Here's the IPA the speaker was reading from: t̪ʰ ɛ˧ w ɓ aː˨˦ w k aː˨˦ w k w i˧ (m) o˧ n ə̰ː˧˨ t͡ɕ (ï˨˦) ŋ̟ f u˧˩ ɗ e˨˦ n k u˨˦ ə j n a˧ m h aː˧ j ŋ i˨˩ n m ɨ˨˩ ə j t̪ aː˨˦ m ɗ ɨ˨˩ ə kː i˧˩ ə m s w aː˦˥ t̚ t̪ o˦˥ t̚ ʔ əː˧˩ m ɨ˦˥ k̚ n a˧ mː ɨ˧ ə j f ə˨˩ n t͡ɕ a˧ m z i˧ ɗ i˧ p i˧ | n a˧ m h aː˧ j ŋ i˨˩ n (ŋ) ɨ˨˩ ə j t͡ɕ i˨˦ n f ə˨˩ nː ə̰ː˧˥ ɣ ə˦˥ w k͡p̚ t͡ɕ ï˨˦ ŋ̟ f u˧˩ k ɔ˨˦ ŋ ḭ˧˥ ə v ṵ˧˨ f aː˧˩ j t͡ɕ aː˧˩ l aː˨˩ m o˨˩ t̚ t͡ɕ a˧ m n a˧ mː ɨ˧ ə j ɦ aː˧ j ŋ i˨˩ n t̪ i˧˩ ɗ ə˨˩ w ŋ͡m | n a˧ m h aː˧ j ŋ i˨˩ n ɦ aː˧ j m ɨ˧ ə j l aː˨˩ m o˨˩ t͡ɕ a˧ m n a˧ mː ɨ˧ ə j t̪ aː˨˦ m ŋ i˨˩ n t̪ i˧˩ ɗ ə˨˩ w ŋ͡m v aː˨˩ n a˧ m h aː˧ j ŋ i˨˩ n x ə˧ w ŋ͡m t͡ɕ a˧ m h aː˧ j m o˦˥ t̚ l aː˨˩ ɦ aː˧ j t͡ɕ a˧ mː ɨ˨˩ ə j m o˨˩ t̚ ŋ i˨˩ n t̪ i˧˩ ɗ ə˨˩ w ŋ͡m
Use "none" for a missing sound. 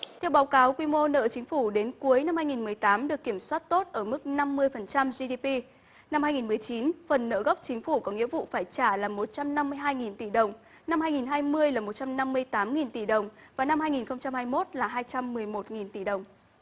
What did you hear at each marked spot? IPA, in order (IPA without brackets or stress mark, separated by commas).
m, ï˨˦, m